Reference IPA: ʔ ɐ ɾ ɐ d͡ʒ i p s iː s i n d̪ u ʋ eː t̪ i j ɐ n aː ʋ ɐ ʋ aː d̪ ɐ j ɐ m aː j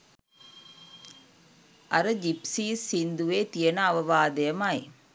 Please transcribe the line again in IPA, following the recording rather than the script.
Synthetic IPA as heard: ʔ ɐ ɾ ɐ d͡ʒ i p s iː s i n d̪ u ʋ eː t̪ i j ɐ n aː ʋ ɐ ʋ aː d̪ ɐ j ɐ m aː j